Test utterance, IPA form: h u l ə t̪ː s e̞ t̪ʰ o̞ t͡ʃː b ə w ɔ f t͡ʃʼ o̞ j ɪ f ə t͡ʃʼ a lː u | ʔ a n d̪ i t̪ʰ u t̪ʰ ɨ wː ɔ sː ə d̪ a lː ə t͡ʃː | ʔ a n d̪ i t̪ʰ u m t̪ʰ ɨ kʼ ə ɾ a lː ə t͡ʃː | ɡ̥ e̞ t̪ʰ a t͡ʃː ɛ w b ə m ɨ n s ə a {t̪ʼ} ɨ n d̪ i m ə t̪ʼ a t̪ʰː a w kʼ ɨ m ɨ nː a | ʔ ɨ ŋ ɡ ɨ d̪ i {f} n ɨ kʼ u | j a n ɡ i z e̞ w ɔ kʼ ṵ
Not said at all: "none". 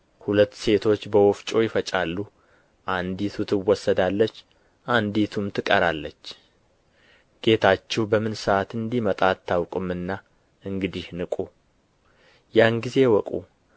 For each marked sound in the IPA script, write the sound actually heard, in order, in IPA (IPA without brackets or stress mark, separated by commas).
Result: t̪, h